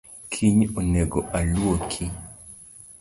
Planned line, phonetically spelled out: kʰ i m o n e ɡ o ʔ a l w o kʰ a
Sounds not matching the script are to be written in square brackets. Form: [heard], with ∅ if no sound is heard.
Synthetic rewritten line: kʰ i [ɲ] o n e ɡ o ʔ a l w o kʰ [i]